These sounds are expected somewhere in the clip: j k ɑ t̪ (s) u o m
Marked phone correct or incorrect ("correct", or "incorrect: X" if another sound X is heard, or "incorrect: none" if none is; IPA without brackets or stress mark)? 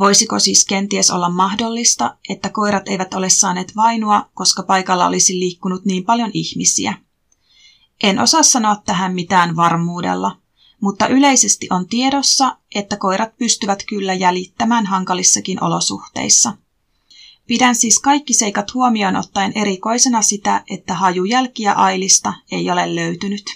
incorrect: h